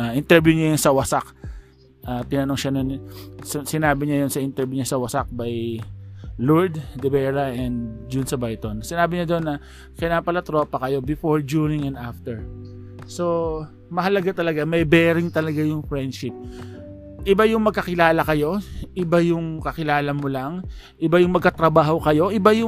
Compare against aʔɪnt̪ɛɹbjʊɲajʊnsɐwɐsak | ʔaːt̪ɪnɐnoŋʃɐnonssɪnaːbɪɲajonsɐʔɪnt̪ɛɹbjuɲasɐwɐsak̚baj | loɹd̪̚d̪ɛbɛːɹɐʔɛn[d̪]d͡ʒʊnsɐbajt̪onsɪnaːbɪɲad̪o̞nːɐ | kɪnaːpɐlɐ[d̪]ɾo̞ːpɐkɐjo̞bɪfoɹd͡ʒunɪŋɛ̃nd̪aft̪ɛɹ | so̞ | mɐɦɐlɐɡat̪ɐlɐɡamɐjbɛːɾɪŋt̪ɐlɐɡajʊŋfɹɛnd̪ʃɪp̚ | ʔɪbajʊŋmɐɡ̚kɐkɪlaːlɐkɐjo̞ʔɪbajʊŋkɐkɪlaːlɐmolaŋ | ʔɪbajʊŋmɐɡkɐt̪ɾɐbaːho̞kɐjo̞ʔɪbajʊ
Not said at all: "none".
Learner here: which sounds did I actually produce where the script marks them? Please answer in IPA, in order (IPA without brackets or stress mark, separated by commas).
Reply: d̪, t̪